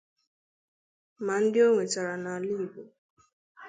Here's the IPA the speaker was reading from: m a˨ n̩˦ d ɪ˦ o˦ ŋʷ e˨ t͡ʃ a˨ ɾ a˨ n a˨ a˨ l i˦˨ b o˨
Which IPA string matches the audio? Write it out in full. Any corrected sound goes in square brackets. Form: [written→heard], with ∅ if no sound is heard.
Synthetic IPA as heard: m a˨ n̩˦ d ɪ˦ o˦ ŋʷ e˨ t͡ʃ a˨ ɾ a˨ n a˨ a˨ l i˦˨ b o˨